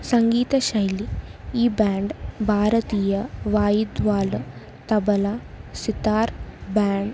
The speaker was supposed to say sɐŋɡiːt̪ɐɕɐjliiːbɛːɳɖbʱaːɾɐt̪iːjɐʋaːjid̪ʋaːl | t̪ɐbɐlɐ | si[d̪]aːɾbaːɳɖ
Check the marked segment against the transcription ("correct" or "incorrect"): incorrect